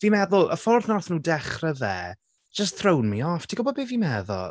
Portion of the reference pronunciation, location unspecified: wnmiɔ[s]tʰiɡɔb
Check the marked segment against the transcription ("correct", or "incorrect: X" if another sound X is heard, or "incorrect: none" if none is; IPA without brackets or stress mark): incorrect: f